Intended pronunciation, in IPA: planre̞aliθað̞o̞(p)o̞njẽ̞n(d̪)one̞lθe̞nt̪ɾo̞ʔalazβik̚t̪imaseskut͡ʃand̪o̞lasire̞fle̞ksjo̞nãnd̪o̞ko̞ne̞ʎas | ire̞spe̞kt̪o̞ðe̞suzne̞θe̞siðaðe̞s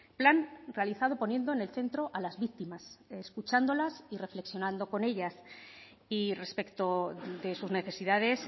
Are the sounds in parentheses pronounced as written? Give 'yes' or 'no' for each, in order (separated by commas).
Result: yes, yes